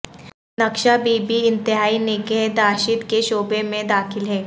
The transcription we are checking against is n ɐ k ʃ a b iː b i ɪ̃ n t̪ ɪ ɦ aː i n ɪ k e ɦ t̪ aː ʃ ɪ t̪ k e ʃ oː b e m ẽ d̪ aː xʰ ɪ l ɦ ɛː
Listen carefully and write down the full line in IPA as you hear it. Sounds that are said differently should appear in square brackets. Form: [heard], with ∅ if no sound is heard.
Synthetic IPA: n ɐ k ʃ a b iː b i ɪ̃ n t̪ ɪ ɦ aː i n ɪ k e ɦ [d̪] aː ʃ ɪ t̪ k e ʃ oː b e m ẽ d̪ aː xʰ ɪ l ɦ ɛː